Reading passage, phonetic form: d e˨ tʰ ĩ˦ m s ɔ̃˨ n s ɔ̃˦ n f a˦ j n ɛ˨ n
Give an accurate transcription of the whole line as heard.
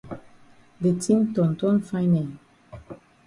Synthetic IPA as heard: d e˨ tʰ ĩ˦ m t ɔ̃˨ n t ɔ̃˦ n f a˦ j n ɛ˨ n